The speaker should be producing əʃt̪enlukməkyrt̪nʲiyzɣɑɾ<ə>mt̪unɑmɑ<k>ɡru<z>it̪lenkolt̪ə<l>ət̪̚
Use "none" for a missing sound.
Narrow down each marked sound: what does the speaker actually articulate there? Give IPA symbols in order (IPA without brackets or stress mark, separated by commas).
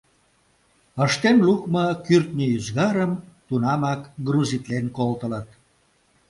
ə, k, z, l